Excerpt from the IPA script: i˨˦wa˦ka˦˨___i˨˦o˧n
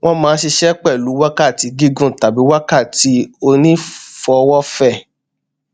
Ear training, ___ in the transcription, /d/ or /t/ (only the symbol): t